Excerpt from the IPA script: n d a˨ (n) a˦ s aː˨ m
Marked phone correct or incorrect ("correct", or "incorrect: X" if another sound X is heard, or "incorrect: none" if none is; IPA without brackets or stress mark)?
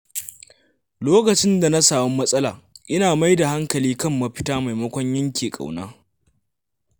correct